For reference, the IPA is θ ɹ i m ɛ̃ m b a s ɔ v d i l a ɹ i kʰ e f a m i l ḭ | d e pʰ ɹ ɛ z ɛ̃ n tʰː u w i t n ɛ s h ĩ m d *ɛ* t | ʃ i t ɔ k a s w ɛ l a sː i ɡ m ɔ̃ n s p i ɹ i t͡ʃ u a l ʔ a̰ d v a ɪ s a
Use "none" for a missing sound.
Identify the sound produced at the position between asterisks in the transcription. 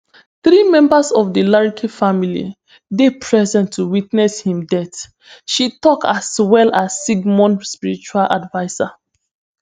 ɛ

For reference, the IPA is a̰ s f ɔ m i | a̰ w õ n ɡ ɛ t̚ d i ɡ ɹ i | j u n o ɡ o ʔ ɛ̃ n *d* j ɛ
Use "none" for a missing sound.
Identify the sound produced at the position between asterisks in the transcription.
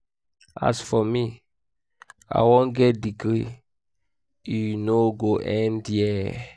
d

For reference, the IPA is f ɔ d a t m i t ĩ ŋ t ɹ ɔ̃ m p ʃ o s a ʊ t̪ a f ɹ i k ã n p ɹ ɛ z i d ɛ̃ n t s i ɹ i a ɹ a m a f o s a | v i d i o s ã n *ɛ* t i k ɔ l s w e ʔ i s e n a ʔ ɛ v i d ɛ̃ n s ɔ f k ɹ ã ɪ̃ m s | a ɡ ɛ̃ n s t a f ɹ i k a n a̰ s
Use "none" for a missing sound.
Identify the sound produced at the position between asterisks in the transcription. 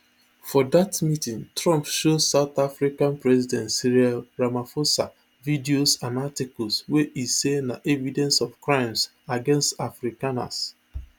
a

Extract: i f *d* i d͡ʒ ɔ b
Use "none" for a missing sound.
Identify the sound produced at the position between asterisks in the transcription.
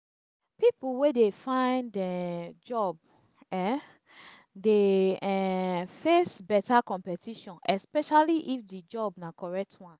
d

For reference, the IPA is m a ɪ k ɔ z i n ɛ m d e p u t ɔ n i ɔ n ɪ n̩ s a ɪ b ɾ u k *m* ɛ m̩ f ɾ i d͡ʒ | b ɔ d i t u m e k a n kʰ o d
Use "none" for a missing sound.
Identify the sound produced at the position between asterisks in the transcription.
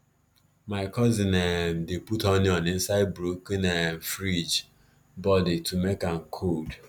n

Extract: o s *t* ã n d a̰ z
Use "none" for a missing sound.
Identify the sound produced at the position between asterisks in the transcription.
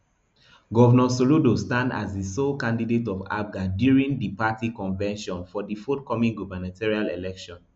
t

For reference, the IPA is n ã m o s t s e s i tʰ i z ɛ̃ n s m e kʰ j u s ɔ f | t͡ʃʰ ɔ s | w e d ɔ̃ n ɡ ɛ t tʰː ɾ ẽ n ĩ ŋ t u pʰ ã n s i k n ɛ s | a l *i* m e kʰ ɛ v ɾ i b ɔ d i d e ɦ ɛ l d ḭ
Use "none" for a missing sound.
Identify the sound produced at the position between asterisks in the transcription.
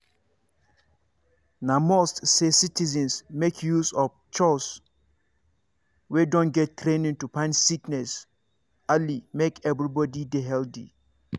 i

